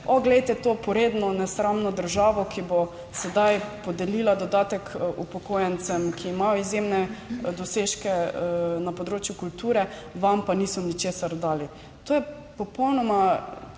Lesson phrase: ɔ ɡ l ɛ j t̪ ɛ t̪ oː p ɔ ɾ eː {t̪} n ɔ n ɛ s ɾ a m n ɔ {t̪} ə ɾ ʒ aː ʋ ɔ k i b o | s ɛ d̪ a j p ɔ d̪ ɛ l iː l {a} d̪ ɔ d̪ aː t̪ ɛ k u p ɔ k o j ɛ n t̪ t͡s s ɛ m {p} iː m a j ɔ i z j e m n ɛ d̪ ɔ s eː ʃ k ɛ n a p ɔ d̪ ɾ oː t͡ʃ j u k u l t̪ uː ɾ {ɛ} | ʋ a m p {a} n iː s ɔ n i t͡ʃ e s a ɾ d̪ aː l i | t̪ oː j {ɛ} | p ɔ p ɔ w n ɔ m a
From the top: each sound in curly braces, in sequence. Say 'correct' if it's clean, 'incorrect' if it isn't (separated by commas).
incorrect, incorrect, correct, incorrect, correct, correct, correct